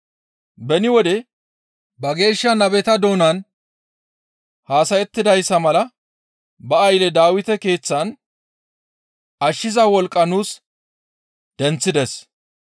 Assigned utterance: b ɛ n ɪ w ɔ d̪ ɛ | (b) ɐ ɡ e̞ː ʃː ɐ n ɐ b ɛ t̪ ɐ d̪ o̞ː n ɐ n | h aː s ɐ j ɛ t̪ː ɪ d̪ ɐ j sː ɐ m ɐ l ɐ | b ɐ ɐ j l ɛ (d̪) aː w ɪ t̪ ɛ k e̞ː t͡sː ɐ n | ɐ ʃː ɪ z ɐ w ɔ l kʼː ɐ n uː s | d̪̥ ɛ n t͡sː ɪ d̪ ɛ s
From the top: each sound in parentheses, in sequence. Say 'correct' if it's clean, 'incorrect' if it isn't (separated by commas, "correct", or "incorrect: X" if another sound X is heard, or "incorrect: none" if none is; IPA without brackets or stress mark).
correct, correct